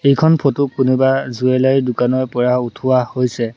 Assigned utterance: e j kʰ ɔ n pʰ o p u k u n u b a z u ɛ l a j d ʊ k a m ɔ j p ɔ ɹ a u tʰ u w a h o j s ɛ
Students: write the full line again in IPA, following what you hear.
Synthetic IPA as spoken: e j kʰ ɔ n pʰ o t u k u n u b a z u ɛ l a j d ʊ k a n ɔ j p ɔ ɹ a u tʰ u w a h o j s ɛ